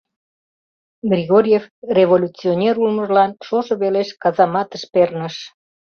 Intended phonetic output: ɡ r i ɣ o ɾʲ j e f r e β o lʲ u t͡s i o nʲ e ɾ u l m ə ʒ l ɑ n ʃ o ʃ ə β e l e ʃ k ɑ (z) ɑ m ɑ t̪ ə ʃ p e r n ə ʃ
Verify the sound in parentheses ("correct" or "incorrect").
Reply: correct